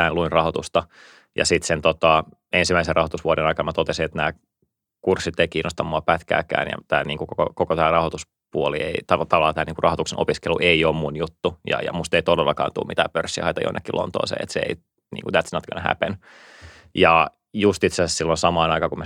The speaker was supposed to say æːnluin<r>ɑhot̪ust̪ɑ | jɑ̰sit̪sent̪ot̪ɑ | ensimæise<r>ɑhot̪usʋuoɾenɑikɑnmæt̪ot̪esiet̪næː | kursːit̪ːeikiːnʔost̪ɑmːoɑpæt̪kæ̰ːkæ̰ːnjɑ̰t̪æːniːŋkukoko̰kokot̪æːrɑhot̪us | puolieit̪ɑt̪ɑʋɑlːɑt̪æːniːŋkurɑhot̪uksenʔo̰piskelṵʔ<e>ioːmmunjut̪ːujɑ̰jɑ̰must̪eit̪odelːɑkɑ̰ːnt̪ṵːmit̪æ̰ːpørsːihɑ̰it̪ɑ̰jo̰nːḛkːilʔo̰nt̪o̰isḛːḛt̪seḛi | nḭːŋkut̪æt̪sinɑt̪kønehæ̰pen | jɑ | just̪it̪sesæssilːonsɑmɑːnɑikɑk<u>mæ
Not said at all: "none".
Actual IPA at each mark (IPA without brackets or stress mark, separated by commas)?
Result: r, r, e, u